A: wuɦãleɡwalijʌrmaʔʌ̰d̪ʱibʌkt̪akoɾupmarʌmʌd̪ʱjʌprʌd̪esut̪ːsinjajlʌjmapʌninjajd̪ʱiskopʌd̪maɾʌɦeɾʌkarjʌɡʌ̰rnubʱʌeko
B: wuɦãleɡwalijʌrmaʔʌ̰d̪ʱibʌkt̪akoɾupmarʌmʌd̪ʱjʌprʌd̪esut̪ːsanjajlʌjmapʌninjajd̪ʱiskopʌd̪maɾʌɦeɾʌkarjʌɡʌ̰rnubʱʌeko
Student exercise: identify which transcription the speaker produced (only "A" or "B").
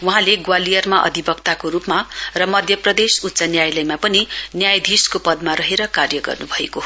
B